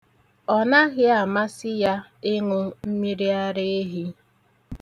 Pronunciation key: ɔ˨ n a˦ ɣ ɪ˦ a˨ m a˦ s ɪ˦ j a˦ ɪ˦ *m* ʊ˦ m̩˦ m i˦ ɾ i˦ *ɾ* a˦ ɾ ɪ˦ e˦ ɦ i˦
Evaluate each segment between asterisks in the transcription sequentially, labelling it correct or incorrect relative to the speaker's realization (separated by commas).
incorrect, incorrect